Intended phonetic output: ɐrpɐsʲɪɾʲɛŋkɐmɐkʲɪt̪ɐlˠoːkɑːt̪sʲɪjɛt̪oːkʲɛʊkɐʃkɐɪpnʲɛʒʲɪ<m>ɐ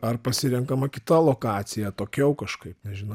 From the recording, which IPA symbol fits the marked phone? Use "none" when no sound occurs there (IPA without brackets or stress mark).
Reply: n